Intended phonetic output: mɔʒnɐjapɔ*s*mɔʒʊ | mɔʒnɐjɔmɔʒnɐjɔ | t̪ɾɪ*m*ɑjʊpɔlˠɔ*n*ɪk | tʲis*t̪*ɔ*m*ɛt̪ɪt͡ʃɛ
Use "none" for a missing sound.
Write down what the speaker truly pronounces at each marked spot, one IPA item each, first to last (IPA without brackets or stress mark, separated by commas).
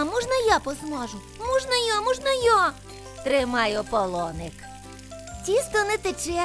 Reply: z, m, n, t̪, n